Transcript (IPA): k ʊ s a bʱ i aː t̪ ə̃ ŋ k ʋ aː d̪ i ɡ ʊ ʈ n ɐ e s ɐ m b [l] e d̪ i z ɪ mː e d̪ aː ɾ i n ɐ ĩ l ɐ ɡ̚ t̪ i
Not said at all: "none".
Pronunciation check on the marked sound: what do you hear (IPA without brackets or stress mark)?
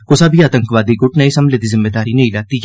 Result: l